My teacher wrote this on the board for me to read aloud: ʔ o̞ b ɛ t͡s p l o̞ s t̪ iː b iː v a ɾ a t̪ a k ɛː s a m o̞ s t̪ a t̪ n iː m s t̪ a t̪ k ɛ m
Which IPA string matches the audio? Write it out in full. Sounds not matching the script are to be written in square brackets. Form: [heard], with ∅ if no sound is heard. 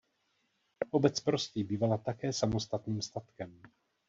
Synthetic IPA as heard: ʔ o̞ b ɛ t͡s p [ɾ] o̞ s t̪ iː b iː v a [l] a t̪ a k ɛː s a m o̞ s t̪ a t̪ n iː m s t̪ a t̪ k ɛ m